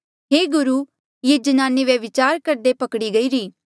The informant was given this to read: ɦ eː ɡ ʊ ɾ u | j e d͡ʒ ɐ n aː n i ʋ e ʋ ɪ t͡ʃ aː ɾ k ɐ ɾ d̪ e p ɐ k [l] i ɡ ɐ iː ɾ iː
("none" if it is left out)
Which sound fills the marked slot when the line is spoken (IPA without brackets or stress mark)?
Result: ɽ